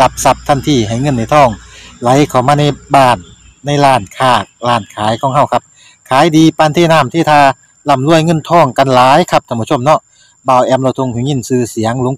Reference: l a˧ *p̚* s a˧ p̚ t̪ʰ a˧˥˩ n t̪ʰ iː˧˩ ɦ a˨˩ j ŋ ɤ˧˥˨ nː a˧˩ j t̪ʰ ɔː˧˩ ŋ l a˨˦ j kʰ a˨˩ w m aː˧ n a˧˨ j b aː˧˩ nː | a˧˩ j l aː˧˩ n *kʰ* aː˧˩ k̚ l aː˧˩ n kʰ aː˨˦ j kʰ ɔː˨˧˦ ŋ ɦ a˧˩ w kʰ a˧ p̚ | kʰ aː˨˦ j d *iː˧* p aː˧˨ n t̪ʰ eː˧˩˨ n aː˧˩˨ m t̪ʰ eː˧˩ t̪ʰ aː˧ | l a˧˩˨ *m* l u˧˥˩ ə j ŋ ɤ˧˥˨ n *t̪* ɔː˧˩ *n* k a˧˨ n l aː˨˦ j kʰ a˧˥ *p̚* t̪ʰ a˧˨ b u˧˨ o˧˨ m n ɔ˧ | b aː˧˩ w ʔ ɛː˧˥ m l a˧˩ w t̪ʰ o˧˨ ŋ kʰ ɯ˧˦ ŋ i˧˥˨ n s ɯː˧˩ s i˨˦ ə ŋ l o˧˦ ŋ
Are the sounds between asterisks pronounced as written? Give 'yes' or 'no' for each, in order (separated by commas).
yes, yes, yes, yes, no, no, yes